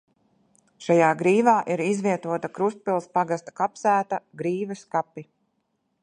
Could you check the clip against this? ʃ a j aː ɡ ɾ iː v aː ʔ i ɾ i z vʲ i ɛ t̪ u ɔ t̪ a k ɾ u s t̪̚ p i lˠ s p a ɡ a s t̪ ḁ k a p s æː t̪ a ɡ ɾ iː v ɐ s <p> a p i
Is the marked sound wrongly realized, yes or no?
yes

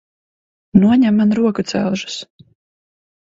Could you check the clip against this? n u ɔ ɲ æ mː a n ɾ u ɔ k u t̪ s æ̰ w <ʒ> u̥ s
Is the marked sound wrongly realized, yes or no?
no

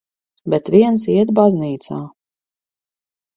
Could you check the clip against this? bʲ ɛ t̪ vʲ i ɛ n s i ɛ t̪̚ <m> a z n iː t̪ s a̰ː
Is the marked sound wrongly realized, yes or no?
yes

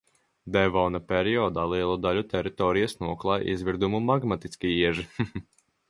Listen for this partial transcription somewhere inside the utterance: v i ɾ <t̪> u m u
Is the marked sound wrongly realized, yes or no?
yes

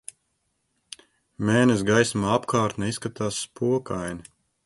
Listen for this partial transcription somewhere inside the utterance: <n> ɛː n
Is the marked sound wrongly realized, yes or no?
yes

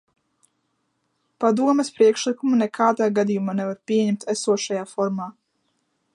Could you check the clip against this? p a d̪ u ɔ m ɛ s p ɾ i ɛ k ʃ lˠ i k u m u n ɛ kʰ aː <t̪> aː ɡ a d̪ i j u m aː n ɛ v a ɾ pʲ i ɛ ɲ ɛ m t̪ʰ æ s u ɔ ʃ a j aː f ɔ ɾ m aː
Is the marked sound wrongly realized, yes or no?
yes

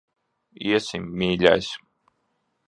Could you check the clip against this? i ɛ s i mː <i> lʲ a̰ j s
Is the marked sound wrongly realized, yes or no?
yes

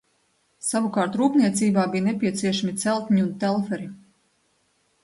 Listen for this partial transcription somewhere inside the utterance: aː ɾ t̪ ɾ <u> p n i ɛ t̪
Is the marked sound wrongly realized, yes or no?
yes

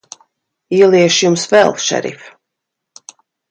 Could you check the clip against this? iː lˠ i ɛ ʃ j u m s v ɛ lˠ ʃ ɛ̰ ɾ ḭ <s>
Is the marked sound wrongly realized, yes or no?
yes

